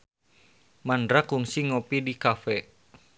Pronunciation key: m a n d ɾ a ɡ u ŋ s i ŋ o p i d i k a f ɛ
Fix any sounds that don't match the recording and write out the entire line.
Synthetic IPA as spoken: m a n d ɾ a k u ŋ s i ŋ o p i d i k a f ɛ